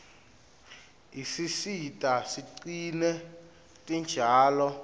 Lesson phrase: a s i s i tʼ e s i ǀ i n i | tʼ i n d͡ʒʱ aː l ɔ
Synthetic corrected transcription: i s i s i tʼ a s i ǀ i n ɛ | tʼ i n d͡ʒʱ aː l ɔ